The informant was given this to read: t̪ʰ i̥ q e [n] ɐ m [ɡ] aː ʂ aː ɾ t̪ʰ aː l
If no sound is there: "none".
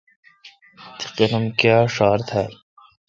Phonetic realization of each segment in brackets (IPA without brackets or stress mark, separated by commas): n, k